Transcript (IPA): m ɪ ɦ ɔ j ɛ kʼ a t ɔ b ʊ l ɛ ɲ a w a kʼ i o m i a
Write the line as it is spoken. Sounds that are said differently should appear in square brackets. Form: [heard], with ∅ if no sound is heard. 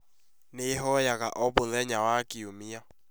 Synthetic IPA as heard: [n] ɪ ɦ ɔ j [a] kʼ a [ʔ] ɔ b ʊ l ɛ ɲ a w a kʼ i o m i a